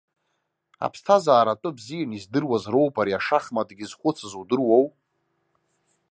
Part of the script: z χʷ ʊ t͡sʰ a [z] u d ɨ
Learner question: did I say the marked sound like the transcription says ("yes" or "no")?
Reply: yes